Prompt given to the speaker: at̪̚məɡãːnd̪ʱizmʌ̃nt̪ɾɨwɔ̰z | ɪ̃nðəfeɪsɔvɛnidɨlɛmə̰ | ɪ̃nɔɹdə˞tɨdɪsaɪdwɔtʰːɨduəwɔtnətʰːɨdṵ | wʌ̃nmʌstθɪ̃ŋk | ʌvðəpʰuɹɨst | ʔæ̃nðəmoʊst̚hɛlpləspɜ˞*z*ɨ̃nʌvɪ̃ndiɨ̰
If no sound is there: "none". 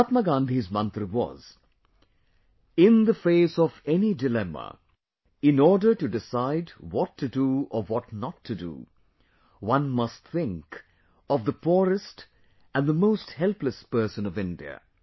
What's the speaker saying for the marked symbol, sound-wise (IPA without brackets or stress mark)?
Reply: s